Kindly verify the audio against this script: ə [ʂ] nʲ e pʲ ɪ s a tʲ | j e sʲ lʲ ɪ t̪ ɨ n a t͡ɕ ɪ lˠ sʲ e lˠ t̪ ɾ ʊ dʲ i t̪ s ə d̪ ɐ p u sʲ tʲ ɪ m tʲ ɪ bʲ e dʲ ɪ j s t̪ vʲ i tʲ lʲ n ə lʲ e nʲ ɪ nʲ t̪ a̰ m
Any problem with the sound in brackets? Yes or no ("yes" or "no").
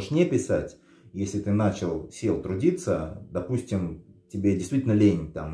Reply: no